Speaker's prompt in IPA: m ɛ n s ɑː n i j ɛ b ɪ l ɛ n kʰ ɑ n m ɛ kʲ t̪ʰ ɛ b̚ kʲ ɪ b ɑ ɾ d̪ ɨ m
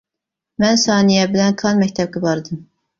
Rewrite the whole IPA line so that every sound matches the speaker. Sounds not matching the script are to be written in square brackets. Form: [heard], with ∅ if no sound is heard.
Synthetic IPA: m ɛ n s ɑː n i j ɛ b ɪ l ɛ n kʰ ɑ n m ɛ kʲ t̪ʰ ɛ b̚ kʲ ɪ b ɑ ɾ d̪ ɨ m